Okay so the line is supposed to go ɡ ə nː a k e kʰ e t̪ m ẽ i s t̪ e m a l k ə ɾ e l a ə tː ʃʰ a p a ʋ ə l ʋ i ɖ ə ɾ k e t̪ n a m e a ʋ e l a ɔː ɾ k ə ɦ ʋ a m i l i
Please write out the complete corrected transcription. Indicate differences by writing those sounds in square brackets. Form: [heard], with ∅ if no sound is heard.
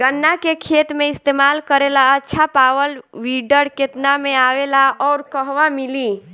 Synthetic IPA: ɡ ə nː a k e kʰ e t̪ m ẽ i s t̪ e m a l k ə ɾ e l a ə tː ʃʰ a p a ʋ ə l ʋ i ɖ ə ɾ k e t̪ n a m e a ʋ e l a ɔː ɾ k ə ɦ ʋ a m i l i